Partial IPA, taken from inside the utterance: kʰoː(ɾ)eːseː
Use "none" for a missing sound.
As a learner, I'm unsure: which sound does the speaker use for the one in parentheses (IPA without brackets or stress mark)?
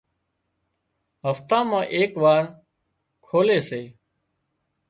l